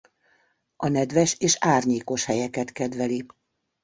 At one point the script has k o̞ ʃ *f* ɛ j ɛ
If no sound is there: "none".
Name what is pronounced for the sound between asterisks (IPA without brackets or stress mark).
h